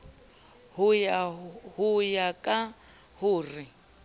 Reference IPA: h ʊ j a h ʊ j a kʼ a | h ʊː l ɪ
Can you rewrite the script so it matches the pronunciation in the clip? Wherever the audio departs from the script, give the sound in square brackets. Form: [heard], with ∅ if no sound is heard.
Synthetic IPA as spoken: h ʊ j a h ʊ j a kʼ a | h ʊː [r] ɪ